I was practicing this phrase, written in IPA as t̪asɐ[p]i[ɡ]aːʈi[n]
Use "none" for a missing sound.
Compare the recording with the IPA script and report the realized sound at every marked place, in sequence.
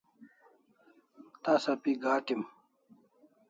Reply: p, ɡ, m

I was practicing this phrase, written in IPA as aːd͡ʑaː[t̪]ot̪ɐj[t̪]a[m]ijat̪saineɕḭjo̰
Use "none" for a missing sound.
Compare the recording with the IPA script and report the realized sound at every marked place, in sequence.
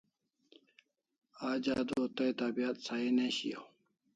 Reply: d̪, t̪, b

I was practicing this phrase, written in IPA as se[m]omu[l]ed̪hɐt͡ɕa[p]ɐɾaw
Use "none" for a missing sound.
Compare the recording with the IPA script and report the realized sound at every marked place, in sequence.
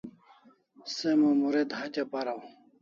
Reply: m, ɾ, p

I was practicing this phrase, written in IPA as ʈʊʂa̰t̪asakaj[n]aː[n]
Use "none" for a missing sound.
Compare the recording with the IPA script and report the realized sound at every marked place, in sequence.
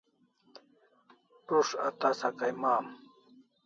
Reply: m, m

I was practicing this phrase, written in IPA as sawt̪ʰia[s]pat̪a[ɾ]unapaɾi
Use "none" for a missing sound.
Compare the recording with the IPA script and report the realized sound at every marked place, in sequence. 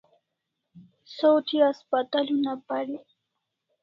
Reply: s, l

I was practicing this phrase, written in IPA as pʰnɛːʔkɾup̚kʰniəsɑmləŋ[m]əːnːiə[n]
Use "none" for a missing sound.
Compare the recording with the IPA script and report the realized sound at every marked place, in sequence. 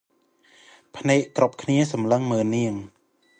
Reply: m, ŋ

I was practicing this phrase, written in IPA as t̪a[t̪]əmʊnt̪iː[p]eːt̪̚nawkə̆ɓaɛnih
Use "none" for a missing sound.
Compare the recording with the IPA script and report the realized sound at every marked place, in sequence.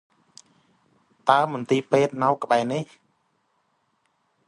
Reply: none, p

